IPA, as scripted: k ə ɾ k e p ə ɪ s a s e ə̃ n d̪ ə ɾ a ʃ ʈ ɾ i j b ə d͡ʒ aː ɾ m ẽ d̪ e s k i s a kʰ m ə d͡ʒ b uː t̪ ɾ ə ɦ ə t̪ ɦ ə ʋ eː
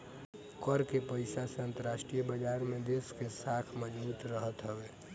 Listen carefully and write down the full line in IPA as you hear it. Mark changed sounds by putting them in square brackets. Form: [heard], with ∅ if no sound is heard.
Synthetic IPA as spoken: k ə ɾ k e p ə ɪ s a s e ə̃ n [t̪] ə ɾ a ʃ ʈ ɾ i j b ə d͡ʒ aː ɾ m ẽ d̪ e s k [e] s a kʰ m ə d͡ʒ b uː t̪ ɾ ə ɦ ə t̪ ɦ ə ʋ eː